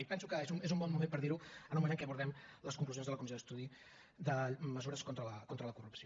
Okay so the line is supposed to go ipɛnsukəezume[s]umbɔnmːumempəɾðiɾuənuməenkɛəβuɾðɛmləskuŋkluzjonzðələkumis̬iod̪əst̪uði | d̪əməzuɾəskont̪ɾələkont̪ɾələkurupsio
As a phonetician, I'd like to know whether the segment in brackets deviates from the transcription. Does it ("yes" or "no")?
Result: yes